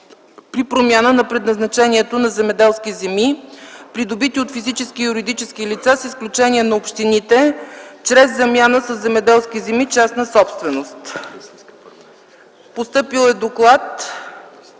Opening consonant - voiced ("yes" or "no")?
no